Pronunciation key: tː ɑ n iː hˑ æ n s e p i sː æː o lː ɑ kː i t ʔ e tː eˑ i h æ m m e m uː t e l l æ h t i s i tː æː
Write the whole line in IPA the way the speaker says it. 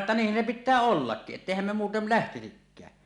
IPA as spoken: tː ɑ n iː hˑ æ n s e p i tː æː o lː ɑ kː i ʔ ʔ e tː eˑ i h æ m m e m uː t e l l æ h t i s i kː æː